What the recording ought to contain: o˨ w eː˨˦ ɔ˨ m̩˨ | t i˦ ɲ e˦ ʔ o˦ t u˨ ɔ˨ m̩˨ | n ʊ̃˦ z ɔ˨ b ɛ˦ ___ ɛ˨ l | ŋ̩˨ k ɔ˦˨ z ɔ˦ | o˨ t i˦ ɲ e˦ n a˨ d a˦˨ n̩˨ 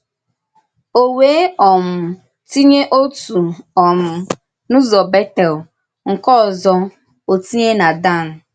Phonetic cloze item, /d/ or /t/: t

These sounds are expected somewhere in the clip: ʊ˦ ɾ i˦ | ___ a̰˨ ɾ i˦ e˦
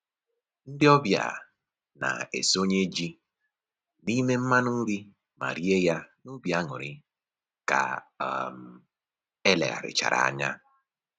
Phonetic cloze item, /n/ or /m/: m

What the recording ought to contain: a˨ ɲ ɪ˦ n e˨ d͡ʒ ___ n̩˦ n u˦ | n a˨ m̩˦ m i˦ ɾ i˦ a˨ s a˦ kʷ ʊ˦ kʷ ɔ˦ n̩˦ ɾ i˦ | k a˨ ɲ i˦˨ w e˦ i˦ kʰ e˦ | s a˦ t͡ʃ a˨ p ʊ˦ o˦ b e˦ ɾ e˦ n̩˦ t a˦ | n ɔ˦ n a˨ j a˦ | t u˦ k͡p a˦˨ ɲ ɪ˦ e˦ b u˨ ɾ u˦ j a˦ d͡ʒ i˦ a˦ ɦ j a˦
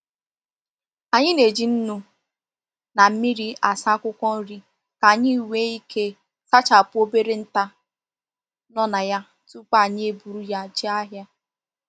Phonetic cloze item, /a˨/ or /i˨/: i˨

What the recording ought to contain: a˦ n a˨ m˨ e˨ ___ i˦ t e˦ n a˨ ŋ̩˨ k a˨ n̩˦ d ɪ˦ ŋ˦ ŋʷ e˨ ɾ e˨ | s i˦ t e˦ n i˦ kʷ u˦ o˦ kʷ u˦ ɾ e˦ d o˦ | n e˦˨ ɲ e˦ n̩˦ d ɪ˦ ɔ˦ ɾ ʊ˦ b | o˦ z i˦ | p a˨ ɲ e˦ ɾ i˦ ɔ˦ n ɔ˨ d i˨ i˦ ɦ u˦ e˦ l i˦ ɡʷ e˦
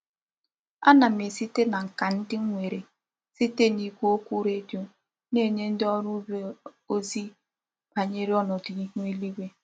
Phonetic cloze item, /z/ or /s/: s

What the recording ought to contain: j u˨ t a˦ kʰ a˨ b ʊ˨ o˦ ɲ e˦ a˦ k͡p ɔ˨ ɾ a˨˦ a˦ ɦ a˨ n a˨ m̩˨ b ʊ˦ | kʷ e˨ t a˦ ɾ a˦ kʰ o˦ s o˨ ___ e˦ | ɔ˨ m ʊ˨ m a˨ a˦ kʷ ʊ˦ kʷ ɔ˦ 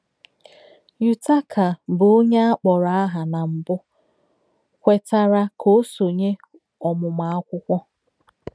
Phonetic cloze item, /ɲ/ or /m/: ɲ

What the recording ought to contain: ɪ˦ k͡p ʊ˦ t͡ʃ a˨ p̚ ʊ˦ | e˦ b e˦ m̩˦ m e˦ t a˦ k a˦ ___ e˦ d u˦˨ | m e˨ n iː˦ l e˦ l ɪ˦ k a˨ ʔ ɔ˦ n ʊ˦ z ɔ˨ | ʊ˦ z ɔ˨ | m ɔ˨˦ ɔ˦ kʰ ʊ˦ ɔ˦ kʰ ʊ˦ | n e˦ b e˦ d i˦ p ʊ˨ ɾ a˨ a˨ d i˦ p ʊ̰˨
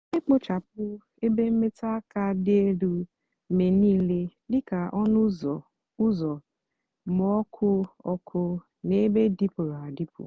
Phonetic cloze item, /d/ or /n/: d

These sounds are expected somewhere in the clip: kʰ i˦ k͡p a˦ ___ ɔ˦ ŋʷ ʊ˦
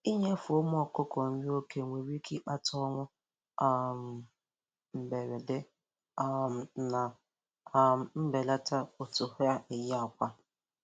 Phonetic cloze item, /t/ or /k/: t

